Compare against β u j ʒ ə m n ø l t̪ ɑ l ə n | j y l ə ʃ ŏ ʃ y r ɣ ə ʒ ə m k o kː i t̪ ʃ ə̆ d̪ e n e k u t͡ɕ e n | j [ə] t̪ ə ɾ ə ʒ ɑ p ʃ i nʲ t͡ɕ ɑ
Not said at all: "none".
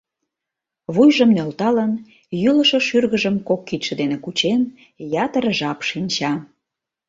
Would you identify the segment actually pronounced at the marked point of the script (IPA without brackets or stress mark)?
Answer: ɑ